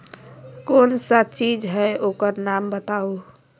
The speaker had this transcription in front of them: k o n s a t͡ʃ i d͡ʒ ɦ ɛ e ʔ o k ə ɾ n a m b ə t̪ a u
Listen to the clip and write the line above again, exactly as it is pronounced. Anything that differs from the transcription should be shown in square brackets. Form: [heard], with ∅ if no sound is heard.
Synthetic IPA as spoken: k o n s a t͡ʃ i d͡ʒ ɦ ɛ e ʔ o k ə ɾ n a m b ə t̪ a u